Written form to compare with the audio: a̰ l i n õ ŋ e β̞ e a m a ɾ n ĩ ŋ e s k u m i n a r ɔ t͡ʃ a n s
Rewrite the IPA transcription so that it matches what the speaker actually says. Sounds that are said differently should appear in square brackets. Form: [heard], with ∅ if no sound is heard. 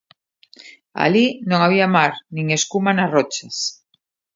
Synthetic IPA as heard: a̰ l i n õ ŋ [a] β̞ [i] a m a ɾ n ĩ ŋ e s k u m [a] n a r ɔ t͡ʃ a [∅] s